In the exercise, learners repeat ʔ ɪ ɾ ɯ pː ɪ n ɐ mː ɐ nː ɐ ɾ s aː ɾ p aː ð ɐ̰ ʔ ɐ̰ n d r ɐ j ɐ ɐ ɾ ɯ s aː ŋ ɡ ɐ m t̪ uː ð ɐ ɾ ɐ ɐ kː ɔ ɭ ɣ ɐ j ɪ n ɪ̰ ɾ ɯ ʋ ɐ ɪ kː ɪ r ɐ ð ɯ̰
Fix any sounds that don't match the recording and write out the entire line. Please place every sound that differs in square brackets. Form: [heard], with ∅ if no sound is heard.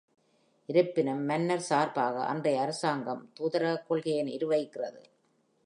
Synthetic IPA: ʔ ɪ ɾ ɯ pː ɪ n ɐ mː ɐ nː ɐ ɾ s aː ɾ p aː [ɣ] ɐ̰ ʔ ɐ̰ n d r ɐ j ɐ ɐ ɾ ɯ s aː ŋ ɡ ɐ m t̪ uː ð ɐ ɾ ɐ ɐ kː ɔ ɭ ɣ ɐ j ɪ n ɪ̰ ɾ ɯ ʋ ɐ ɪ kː ɪ r ɐ ð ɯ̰